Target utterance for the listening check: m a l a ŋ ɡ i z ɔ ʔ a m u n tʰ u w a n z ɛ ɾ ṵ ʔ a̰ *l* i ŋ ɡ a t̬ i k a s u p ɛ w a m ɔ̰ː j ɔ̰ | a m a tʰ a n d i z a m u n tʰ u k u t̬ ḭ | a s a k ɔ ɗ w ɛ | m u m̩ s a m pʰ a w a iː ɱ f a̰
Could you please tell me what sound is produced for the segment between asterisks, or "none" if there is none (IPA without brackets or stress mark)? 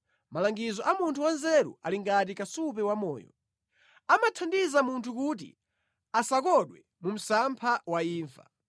l